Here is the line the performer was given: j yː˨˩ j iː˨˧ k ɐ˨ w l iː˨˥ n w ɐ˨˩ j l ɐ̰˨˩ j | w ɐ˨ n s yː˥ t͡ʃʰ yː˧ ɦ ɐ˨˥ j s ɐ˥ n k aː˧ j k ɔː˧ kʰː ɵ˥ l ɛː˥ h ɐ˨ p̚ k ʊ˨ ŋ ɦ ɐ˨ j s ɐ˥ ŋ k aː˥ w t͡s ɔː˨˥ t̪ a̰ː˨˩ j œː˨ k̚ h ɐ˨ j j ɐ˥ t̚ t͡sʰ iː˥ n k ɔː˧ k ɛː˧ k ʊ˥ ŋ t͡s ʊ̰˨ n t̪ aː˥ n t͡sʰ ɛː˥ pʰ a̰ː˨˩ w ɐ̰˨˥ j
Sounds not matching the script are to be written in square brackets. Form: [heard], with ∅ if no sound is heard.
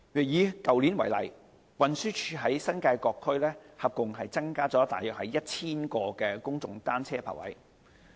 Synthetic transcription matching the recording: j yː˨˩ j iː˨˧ k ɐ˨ w l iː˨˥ n w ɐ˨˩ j l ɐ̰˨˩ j | w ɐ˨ n s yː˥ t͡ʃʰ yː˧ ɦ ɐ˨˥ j s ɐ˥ n k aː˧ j k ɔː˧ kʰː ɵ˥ l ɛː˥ h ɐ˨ p̚ k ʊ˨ ŋ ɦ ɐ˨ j [t͡s] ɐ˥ ŋ k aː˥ [∅] t͡s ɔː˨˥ t̪ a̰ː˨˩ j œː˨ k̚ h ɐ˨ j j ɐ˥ t̚ t͡sʰ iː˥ n k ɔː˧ k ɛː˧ k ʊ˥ ŋ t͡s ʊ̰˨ [ŋ] t̪ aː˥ n t͡sʰ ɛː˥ pʰ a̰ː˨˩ w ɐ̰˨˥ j